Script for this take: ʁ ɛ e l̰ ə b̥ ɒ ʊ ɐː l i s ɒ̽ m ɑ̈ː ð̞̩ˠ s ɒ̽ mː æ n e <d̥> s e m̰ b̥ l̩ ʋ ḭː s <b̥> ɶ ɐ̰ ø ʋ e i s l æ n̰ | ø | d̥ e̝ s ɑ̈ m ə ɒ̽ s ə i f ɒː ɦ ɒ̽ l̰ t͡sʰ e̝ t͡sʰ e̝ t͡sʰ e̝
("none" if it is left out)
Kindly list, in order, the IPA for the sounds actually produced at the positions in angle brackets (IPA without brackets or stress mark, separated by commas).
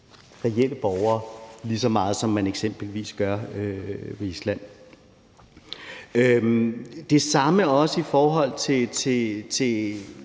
ɡ̥, ɡ̥